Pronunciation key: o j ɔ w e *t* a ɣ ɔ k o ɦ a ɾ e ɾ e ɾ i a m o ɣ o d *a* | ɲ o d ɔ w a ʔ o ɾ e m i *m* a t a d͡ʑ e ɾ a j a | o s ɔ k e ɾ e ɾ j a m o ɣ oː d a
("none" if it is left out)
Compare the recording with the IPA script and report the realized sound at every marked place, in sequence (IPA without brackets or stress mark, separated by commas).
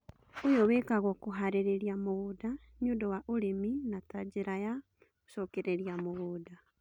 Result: k, a, n